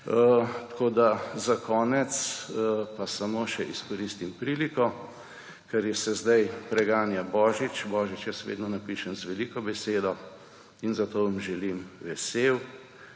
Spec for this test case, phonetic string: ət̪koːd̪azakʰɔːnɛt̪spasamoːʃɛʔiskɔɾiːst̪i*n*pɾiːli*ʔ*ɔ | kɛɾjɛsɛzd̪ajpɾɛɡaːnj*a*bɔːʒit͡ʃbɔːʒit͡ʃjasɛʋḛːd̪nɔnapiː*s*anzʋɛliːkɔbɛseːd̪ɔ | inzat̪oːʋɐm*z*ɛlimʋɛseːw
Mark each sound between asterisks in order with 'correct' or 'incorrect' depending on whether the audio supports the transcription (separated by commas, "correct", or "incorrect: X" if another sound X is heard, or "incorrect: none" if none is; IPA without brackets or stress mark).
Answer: incorrect: m, incorrect: k, correct, incorrect: ʃ, incorrect: ʒ